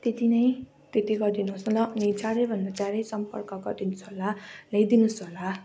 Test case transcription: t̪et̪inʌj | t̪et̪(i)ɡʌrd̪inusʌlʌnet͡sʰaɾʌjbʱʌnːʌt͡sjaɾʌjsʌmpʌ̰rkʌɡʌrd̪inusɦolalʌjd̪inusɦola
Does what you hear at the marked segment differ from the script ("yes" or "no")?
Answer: no